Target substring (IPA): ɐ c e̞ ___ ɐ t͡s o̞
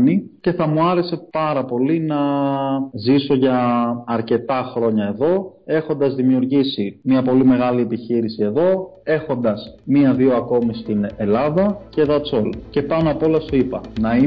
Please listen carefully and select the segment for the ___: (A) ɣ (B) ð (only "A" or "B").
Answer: B